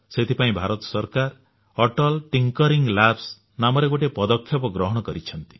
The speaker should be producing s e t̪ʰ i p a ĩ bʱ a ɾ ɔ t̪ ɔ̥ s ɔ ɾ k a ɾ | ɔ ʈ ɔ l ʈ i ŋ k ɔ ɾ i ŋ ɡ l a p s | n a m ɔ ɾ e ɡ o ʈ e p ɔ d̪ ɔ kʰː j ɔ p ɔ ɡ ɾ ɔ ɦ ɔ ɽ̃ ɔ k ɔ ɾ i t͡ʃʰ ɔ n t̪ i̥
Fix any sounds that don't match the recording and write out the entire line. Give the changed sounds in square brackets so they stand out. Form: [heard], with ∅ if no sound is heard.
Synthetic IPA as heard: s e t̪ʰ i p a ĩ bʱ a ɾ ɔ t̪ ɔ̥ s ɔ ɾ k a ɾ | ɔ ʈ ɔ l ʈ i ŋ k ɔ ɾ i ŋ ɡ l a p s | n a m ɔ ɾ e ɡ o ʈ e p ɔ d̪ ɔ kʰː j ɔ p ɔ ɡ ɾ ɔ ɦ ɔ ɽ̃ ɔ k ɔ ɾ i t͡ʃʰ ɔ n t̪ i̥

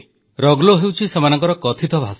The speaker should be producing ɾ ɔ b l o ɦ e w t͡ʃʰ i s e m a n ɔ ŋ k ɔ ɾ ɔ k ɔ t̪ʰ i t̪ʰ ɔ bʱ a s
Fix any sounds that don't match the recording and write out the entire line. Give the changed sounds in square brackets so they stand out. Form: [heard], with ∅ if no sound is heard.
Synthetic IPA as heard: ɾ ɔ [ɡ] l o ɦ e w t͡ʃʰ i s e m a n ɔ ŋ k ɔ ɾ ɔ k ɔ t̪ʰ i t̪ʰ ɔ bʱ a s

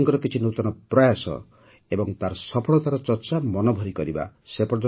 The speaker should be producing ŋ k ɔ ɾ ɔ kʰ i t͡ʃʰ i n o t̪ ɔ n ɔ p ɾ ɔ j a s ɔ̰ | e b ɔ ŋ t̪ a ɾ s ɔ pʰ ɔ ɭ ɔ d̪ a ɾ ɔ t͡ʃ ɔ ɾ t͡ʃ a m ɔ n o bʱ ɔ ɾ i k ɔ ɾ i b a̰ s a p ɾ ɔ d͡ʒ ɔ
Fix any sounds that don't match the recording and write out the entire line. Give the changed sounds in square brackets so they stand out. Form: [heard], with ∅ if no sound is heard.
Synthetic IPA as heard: ŋ k ɔ ɾ ɔ [k] i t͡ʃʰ i n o t̪ ɔ n ɔ p ɾ ɔ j a s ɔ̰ | e b ɔ ŋ t̪ a ɾ s ɔ pʰ ɔ ɭ ɔ [t̪] a ɾ ɔ t͡ʃ ɔ ɾ t͡ʃ a m ɔ n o bʱ ɔ ɾ i k ɔ ɾ i b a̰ s [e] p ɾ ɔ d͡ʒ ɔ

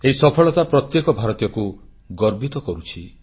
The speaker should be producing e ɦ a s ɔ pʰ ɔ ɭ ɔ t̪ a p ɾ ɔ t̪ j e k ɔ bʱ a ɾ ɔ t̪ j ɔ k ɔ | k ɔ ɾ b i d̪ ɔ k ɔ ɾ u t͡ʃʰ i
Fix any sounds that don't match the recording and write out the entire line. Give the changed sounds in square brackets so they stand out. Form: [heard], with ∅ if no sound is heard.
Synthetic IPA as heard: e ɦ [i] s ɔ pʰ ɔ ɭ ɔ t̪ a p ɾ ɔ t̪ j e k ɔ bʱ a ɾ ɔ t̪ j ɔ k [u] | [ɡ] ɔ ɾ b i [t̪] ɔ k ɔ ɾ u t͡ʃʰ i

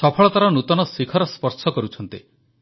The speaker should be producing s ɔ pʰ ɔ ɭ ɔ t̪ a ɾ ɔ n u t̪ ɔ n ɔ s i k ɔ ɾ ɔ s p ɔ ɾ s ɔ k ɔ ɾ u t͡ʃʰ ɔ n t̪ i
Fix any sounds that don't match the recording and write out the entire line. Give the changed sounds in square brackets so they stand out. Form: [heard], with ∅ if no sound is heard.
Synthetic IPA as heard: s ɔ pʰ ɔ ɭ ɔ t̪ a ɾ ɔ n u t̪ ɔ n ɔ s i [kʰ] ɔ ɾ ɔ s p ɔ ɾ s ɔ k ɔ ɾ u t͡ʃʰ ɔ n t̪ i

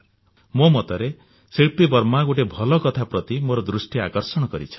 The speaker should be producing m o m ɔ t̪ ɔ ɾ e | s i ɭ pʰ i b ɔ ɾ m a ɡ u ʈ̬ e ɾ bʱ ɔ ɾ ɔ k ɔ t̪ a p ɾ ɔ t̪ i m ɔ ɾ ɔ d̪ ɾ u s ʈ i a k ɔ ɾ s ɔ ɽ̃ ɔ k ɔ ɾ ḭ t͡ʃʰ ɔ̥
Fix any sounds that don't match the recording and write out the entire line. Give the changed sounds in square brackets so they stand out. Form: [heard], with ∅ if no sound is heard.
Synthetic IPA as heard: m o m ɔ t̪ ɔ ɾ e | s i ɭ [p] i b ɔ ɾ m a ɡ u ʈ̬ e [∅] bʱ ɔ [l] ɔ k ɔ [t̪ʰ] a p ɾ ɔ t̪ i m [o] ɾ ɔ d̪ ɾ u s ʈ i a k ɔ ɾ s ɔ ɽ̃ ɔ k ɔ ɾ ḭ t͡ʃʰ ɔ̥

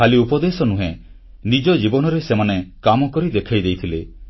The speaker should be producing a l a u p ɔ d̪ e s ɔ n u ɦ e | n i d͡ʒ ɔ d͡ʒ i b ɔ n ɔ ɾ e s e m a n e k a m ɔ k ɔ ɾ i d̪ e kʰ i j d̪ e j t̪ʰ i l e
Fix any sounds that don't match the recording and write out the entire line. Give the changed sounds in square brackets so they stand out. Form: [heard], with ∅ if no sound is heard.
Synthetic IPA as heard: a l [i] u p ɔ d̪ e s ɔ n u ɦ e | n i d͡ʒ ɔ d͡ʒ i b ɔ n ɔ ɾ e s e m a n e k a m ɔ k ɔ ɾ i d̪ e kʰ [a] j d̪ e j t̪ʰ i l e

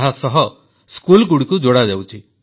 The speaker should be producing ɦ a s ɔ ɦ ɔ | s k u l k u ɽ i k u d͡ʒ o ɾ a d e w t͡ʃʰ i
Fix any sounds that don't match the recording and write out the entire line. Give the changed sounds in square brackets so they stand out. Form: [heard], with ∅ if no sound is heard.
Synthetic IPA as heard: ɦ a s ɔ ɦ ɔ | s k u l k u ɽ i k u d͡ʒ o [ɽ] a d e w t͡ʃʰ i

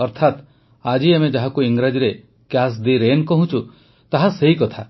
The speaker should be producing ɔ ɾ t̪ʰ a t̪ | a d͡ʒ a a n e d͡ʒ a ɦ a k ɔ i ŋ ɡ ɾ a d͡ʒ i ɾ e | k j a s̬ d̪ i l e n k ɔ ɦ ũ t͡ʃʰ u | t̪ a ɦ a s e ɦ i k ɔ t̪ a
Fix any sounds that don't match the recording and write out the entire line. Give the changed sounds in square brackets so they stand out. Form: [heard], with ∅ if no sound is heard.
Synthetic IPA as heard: ɔ ɾ t̪ʰ a t̪ | a d͡ʒ [i] a [m] e d͡ʒ a ɦ a k [u] i ŋ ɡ ɾ a d͡ʒ i ɾ e | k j a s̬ d̪ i [ɾ] e n k ɔ ɦ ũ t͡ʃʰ u | t̪ a ɦ a s e ɦ i k ɔ [t̪ʰ] a

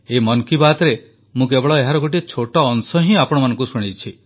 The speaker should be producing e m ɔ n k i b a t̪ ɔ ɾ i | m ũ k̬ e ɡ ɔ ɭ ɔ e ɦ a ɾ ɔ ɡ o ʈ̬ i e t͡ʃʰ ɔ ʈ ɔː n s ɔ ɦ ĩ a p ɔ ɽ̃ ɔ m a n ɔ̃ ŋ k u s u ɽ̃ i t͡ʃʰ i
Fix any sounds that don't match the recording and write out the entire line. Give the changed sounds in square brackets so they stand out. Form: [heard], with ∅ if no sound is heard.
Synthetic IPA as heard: e m ɔ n k i b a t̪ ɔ ɾ [e] | m ũ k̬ e [b] ɔ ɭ ɔ e ɦ a ɾ ɔ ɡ o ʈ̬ i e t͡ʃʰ [o] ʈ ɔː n s ɔ ɦ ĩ a p ɔ ɽ̃ ɔ m a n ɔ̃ ŋ k u s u ɽ̃ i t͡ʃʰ i

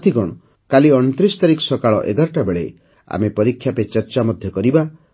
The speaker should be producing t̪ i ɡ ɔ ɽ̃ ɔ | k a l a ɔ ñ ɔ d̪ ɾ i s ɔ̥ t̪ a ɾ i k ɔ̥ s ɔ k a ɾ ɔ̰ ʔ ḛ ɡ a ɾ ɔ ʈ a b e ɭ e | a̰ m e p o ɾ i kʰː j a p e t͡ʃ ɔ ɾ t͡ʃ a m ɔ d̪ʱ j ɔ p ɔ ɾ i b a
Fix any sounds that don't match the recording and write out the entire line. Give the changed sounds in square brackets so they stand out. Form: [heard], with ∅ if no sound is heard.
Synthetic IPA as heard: t̪ i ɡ ɔ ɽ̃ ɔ | k a l [i] ɔ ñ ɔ [t̪] ɾ i s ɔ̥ t̪ a ɾ i k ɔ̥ s ɔ k a [ɭ] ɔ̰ ʔ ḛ ɡ a ɾ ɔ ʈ a b e ɭ e | a̰ m e p [ɔ] ɾ i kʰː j a p e t͡ʃ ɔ ɾ t͡ʃ a m ɔ d̪ʱ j ɔ [k] ɔ ɾ i b a

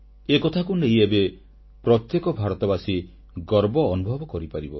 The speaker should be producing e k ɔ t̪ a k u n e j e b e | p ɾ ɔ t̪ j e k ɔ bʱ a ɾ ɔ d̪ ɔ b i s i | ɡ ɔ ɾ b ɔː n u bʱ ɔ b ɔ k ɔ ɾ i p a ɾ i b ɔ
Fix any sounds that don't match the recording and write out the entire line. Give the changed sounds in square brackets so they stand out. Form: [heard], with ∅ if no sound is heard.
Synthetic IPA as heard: e k ɔ [t̪ʰ] a k u n e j e b e | p ɾ ɔ t̪ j e k ɔ bʱ a ɾ ɔ [t̪] ɔ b [a] s i | ɡ ɔ ɾ b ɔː n u bʱ ɔ b ɔ k ɔ ɾ i p a ɾ i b ɔ

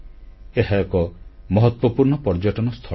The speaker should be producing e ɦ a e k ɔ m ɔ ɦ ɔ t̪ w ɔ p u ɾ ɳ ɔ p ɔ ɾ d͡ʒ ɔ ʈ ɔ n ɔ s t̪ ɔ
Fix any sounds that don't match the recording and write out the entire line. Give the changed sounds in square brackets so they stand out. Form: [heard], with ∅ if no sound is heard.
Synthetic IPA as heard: e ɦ a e k ɔ m ɔ ɦ ɔ t̪ w ɔ p u ɾ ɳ ɔ p ɔ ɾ d͡ʒ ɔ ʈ ɔ n ɔ s [t̪ʰ] ɔ

